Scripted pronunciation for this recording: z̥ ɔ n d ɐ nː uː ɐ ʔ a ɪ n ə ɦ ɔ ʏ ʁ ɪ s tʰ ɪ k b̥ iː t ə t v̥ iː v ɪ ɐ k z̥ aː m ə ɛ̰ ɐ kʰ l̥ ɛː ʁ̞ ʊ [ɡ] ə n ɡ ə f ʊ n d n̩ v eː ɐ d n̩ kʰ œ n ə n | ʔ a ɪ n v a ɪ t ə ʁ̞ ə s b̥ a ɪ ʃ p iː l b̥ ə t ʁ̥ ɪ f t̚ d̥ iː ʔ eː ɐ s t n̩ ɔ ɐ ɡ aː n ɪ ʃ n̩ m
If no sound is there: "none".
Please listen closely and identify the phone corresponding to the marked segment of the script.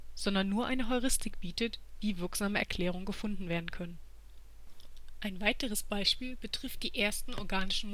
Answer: ŋ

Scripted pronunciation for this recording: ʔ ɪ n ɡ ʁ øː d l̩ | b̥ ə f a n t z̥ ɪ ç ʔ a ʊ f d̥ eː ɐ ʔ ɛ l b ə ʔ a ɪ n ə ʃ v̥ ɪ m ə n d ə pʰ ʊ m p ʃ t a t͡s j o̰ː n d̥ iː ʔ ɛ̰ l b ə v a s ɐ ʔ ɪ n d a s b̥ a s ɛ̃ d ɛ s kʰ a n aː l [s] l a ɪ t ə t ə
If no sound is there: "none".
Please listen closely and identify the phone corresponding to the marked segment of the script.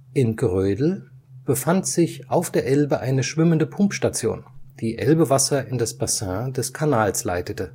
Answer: s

